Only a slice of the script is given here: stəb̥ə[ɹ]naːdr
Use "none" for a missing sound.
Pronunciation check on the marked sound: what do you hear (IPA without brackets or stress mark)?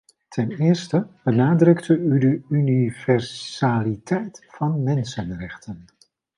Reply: none